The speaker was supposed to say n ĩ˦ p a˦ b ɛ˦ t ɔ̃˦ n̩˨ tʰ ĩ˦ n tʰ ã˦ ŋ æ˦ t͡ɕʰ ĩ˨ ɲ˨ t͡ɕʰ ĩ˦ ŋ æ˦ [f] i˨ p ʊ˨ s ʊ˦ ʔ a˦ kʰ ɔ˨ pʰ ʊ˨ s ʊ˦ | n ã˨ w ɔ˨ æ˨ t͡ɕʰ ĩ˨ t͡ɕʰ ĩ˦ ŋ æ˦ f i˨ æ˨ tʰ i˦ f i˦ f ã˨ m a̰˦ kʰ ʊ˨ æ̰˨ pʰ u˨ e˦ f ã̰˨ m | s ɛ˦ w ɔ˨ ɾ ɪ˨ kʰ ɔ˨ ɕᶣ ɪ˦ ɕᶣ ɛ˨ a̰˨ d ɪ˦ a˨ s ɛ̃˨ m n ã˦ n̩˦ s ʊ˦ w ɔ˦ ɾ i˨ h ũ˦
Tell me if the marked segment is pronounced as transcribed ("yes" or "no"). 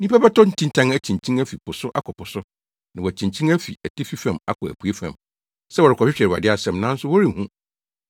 yes